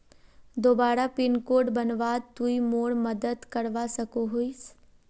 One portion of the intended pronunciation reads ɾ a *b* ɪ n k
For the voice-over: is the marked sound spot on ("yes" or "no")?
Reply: no